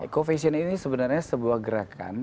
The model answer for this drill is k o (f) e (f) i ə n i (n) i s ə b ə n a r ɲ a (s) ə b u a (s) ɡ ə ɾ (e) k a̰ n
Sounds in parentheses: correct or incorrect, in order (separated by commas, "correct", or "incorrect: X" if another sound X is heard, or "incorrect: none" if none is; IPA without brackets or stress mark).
correct, incorrect: s, correct, correct, incorrect: h, incorrect: a